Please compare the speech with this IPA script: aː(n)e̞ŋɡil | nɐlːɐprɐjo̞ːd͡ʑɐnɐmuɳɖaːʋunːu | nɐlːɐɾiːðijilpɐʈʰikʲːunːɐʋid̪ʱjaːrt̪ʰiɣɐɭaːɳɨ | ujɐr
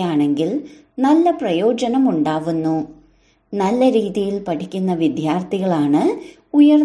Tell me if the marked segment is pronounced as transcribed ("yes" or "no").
no